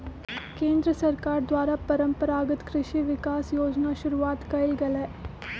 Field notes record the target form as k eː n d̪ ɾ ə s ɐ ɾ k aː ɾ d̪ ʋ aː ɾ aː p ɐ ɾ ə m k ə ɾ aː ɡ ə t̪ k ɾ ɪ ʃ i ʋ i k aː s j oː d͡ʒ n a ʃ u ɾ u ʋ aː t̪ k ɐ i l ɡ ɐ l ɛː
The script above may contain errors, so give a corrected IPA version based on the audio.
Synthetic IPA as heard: k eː n d̪ ɾ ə s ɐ ɾ k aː ɾ d̪ ʋ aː ɾ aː p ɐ ɾ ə m p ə ɾ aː ɡ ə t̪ k ɾ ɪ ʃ i ʋ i k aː s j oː d͡ʒ n a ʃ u ɾ u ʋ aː t̪ k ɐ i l ɡ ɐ l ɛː